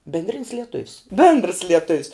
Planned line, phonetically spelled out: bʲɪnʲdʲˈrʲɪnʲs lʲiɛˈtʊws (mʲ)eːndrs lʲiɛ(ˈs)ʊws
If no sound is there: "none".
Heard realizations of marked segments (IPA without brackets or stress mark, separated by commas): bʲ, t